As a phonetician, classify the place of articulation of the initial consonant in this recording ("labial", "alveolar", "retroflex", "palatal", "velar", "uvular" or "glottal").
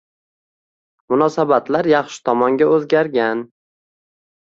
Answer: labial